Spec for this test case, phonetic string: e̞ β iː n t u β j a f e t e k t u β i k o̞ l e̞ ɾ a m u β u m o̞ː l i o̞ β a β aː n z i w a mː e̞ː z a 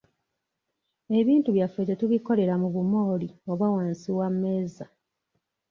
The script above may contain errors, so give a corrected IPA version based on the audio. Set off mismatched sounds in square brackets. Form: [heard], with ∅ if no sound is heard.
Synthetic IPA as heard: e̞ β iː n t u β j a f e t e [∅] t u β i k o̞ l e̞ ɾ a m u β u m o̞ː l i o̞ β a [w] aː n [s] i w a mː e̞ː z a